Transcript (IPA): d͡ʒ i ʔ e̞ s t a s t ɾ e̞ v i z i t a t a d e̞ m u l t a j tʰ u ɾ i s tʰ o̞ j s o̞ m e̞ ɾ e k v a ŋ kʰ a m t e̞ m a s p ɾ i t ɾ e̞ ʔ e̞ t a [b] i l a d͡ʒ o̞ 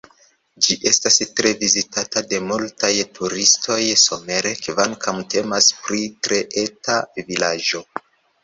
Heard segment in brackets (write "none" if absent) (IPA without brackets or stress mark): v